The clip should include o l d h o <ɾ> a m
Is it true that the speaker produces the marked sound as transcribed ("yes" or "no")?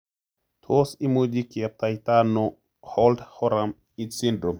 yes